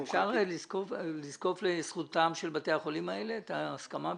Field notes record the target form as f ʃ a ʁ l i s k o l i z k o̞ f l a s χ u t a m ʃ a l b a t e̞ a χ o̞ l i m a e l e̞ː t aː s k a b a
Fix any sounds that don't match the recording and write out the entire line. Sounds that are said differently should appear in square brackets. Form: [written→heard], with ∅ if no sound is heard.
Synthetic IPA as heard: f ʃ a ʁ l i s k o l i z k o̞ f l [a→e] s χ u t a m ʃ [a→e] l b a t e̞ a χ o̞ l i m a e l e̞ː t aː s k a [b→m] a